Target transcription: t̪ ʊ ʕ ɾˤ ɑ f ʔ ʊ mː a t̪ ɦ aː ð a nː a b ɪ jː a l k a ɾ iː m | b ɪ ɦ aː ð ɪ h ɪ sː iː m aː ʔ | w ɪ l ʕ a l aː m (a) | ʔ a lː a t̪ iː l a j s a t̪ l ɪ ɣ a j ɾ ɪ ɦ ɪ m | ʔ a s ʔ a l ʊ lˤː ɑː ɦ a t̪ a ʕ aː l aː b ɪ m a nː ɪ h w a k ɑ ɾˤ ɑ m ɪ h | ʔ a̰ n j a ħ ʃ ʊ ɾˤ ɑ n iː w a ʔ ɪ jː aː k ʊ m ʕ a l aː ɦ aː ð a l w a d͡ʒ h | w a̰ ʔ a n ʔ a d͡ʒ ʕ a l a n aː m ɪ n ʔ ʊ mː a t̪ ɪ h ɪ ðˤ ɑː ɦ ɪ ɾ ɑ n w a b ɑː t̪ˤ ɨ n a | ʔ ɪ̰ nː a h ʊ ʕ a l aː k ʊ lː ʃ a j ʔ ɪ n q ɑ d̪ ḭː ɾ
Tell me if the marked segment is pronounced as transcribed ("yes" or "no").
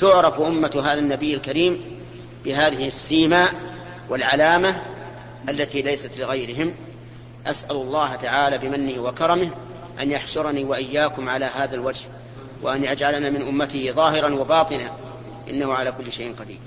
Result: yes